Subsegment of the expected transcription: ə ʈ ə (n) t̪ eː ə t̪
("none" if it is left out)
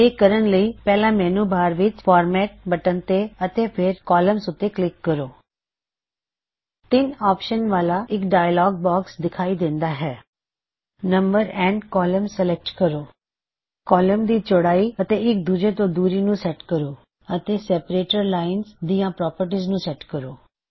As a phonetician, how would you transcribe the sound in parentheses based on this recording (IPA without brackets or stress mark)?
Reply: n